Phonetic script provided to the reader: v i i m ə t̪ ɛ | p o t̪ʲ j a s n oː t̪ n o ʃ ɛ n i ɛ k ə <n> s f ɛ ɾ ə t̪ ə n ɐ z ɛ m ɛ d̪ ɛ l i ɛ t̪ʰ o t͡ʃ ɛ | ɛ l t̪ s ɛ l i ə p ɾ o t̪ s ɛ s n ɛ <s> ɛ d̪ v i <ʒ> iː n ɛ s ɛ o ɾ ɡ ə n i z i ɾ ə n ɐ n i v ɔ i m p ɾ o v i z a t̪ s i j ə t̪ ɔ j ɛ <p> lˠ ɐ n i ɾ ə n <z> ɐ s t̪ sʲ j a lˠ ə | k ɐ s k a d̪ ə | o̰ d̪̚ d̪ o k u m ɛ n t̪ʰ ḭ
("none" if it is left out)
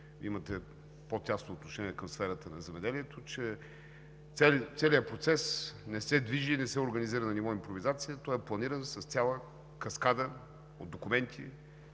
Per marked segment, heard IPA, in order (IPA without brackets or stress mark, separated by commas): m, s, ʒ, p, s